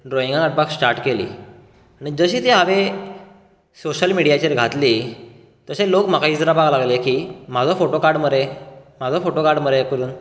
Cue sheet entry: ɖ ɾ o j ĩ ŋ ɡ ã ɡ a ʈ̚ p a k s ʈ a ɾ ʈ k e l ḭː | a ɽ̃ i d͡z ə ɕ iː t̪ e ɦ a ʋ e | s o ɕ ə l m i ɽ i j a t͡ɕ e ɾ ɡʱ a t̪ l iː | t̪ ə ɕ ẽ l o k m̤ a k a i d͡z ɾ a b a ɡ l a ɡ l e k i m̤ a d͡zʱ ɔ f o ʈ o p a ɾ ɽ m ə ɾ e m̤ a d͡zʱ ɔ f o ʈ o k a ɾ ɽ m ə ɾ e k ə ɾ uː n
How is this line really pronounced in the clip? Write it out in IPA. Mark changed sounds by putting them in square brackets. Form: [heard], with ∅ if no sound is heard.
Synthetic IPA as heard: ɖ ɾ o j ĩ ŋ ɡ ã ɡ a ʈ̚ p a k s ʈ a ɾ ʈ k e l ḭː | a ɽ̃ i d͡z ə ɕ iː t̪ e ɦ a ʋ e | s o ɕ ə l m i ɽ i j a t͡ɕ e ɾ ɡʱ a t̪ l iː | t̪ ə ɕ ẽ l o k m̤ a k a i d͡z ɾ a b a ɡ l a ɡ l e k i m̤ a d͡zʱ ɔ f o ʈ o [k] a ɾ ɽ m ə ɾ e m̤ a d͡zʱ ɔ f o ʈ o k a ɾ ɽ m ə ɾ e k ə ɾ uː n